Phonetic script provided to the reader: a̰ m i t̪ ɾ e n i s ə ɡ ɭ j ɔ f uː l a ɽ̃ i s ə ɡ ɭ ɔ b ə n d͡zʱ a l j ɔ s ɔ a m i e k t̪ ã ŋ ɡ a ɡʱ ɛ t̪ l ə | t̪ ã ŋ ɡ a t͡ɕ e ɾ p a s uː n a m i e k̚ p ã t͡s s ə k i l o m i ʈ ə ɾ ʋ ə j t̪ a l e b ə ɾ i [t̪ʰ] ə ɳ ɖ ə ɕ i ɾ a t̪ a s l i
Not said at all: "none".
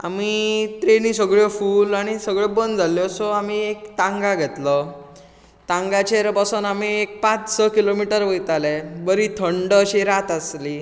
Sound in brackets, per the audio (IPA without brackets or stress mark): t̪ʰ